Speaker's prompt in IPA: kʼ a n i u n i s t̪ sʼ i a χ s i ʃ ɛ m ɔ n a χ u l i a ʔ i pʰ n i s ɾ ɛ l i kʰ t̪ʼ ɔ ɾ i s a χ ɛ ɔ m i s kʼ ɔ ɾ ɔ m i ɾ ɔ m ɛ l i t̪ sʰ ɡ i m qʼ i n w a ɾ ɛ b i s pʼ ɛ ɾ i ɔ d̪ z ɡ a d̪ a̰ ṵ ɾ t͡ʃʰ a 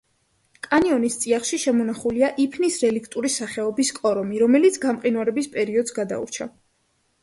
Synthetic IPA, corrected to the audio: kʼ a n i ɔ n i s t̪ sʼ i a χ ʃ i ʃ ɛ m ɔ n a χ u l i a ʔ i pʰ n i s ɾ ɛ l i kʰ t̪ʼ u ɾ i s a χ ɛ ɔ b i s kʼ ɔ ɾ ɔ m i ɾ ɔ m ɛ l i t̪ sʰ ɡ a m qʼ i n w a ɾ ɛ b i s pʼ ɛ ɾ i ɔ d̪ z ɡ a d̪ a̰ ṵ ɾ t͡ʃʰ a